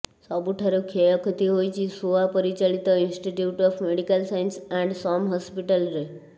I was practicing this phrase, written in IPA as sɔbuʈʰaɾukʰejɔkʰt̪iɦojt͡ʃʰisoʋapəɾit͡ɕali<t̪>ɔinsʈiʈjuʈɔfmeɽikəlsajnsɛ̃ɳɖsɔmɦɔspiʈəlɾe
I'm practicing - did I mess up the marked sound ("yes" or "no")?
no